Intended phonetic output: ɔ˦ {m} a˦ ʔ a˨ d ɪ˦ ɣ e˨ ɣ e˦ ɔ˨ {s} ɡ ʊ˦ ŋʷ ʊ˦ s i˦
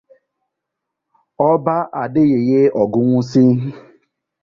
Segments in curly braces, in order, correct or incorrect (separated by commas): incorrect, incorrect